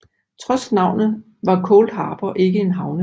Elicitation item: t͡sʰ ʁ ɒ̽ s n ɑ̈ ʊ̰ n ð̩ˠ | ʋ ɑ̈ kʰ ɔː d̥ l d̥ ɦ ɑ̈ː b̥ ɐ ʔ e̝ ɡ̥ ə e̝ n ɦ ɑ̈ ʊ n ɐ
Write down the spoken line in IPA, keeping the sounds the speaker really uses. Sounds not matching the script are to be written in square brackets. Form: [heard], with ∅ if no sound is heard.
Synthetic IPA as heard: t͡sʰ ʁ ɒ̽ s n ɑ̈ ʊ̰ n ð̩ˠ | ʋ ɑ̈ kʰ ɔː [∅] l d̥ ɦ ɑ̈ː b̥ ɐ ʔ e̝ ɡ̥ ə e̝ n ɦ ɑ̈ ʊ n [ə]